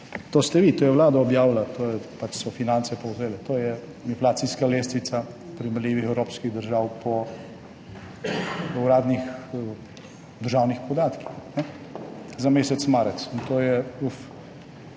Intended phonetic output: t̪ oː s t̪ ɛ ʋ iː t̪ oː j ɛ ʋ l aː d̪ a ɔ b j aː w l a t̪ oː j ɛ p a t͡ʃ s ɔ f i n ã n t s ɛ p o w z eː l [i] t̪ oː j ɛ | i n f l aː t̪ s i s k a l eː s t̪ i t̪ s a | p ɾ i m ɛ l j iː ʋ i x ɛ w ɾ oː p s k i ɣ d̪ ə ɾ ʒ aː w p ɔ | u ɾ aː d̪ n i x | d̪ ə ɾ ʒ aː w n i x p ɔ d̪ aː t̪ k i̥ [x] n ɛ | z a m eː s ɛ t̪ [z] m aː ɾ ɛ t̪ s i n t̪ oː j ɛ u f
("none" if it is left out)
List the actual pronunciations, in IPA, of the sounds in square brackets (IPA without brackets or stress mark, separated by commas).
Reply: ɛ, x, s